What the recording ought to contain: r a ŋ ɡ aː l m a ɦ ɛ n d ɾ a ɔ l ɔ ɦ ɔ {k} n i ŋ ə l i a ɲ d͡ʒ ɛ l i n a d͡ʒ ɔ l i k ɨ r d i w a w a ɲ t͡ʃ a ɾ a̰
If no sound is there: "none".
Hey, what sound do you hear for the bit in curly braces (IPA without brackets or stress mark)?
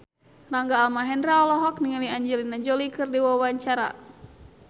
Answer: k